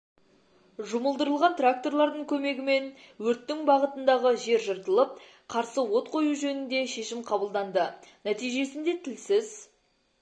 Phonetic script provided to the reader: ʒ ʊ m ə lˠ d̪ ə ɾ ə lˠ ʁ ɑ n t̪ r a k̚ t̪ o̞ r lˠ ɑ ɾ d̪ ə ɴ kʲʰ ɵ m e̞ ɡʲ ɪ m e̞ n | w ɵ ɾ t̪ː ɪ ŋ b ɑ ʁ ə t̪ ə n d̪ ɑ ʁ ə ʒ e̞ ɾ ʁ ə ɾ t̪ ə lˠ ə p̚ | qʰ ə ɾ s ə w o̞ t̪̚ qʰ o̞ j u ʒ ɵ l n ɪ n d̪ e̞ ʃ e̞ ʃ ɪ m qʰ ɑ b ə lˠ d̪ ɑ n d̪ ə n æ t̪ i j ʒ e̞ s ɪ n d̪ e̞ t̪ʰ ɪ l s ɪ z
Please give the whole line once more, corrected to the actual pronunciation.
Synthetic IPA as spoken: ʒ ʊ m ə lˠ d̪ ə ɾ ə lˠ ʁ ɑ n t̪ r a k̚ t̪ o̞ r lˠ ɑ ɾ d̪ ə ɴ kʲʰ ɵ m e̞ ɡʲ ɪ m e̞ n | w ɵ ɾ t̪ː ɪ ŋ b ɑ ʁ ə t̪ ə n d̪ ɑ ʁ ə ʒ e̞ ɾ ʒ ə ɾ t̪ ə lˠ ə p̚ | qʰ ɑ ɾ s ə w o̞ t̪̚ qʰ o̞ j u ʒ ɵ n ɪ n d̪ e̞ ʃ e̞ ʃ ɪ m qʰ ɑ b ə lˠ d̪ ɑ n d̪ ə n æ t̪ i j ʒ e̞ s ɪ n d̪ e̞ t̪ʰ ɪ l s ɪ z